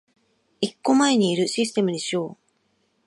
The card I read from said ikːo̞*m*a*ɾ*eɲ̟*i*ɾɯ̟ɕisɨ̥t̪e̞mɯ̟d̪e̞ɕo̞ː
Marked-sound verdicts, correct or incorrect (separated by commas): correct, incorrect, incorrect